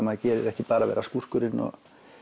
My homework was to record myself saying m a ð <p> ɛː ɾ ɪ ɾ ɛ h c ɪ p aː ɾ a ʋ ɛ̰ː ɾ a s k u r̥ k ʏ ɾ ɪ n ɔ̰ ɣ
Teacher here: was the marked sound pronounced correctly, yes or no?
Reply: no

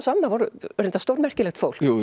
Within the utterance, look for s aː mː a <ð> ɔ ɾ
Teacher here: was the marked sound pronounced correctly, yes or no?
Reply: no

